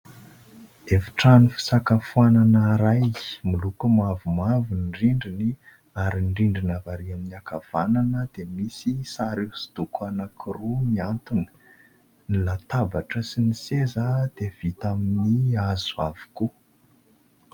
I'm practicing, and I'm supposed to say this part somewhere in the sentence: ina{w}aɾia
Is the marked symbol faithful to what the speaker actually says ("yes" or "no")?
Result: no